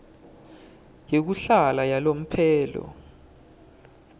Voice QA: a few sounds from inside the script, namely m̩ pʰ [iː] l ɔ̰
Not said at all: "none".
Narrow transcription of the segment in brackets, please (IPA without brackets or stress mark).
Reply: ɛː